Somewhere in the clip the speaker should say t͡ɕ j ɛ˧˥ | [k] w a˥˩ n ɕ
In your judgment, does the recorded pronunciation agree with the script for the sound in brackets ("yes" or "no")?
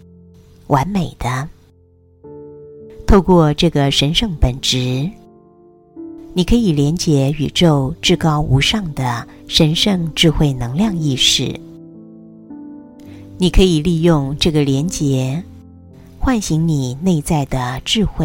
no